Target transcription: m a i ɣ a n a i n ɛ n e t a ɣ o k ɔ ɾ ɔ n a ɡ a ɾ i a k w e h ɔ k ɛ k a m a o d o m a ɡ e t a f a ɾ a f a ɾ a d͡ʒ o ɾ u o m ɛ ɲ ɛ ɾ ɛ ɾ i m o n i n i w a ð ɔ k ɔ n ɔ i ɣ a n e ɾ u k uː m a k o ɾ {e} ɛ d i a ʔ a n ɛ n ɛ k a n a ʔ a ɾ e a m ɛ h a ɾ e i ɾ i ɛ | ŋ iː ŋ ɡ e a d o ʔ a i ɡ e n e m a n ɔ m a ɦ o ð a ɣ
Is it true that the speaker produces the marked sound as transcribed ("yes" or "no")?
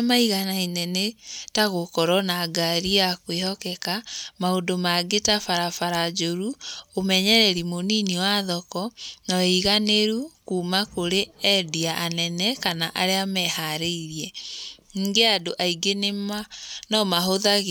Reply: yes